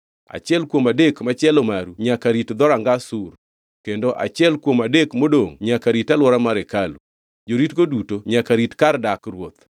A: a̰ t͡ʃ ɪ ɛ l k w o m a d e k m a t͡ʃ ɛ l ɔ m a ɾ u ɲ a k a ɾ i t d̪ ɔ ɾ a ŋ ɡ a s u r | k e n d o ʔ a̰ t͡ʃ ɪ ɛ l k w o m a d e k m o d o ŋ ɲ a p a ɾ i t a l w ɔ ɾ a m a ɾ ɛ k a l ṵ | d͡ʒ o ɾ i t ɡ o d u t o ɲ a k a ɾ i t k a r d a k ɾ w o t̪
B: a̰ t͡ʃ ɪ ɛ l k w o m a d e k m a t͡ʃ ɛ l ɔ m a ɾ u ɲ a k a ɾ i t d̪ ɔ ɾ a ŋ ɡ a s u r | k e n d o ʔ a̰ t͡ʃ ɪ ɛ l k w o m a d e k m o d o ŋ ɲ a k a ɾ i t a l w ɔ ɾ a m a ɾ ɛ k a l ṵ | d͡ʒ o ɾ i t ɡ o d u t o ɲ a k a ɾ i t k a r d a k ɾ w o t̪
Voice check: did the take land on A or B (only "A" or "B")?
B